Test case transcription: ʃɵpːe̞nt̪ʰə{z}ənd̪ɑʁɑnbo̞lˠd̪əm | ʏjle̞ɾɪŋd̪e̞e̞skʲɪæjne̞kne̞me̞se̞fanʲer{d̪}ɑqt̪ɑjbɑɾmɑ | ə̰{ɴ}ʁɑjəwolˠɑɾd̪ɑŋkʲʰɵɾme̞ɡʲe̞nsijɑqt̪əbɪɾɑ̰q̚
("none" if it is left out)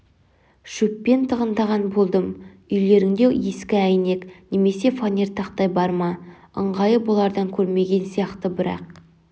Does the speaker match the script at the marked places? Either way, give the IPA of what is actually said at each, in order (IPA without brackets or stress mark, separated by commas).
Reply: ʁ, t̪, ɴ